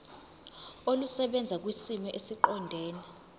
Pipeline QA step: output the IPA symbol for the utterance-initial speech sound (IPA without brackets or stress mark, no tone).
o